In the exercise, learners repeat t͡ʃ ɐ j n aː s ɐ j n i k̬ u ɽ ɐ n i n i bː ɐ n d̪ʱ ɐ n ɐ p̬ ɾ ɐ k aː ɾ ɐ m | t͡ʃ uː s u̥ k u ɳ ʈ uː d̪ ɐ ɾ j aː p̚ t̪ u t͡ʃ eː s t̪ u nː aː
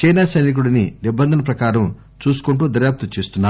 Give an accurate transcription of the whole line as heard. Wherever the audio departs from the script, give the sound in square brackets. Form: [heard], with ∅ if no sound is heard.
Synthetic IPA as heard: t͡ʃ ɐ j n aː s ɐ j n i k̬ u ɽ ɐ n i n i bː ɐ n d̪ʱ ɐ n ɐ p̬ ɾ ɐ k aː ɾ ɐ m | t͡ʃ uː s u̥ k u ɳ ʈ uː d̪ ɐ ɾ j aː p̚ t̪ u t͡ʃ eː s t̪ u nː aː